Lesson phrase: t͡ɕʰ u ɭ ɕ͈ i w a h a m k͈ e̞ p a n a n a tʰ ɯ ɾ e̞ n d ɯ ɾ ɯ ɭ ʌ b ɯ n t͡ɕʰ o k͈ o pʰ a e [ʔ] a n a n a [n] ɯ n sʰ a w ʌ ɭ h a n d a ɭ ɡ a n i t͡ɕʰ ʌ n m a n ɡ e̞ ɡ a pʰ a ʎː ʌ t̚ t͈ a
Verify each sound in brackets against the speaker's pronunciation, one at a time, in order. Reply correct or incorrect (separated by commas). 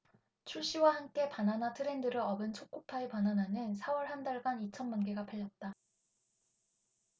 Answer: incorrect, correct